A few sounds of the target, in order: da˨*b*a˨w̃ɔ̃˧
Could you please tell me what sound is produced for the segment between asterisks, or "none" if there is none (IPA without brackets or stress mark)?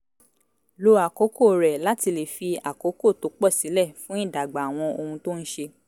ɡ͡b